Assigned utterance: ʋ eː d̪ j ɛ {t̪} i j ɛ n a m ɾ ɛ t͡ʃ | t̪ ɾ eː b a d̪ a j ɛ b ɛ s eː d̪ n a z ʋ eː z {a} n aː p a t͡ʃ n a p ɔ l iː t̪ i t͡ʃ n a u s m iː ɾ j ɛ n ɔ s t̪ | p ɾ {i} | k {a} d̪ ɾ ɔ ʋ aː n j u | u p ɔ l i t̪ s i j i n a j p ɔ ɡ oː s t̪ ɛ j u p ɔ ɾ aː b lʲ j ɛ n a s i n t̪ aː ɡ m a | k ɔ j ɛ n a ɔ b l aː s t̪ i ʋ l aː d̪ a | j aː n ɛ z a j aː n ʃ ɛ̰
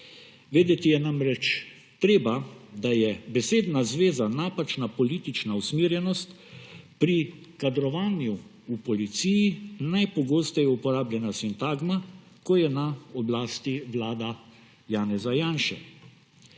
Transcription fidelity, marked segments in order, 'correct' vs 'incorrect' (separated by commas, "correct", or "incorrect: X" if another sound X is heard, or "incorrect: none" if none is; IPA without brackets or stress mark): correct, correct, correct, correct